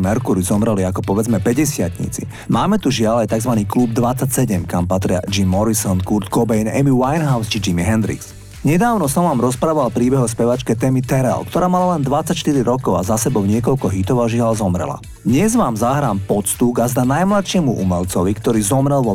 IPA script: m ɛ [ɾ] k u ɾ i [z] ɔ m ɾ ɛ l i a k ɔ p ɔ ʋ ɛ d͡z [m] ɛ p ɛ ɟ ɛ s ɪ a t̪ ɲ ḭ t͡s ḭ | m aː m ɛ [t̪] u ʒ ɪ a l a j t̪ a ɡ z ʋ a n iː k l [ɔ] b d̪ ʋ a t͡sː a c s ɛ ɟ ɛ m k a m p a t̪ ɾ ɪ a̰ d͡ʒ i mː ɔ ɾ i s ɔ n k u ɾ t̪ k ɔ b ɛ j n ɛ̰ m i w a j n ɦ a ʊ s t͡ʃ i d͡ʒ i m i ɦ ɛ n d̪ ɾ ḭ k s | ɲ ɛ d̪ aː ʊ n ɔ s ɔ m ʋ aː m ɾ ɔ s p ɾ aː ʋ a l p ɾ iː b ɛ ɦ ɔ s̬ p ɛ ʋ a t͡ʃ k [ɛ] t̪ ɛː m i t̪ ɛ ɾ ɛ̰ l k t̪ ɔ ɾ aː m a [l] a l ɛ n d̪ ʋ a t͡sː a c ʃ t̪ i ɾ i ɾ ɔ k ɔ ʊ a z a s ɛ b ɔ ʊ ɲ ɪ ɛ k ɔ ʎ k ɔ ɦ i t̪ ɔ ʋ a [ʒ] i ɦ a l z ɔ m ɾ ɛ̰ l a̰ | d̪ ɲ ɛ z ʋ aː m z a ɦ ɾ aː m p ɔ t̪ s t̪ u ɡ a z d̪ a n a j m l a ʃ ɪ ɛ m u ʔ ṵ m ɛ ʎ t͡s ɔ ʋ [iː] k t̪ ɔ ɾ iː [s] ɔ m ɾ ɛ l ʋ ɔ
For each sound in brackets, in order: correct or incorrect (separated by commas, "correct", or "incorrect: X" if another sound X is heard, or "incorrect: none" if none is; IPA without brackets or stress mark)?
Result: correct, correct, correct, correct, incorrect: u, correct, correct, correct, incorrect: i, incorrect: z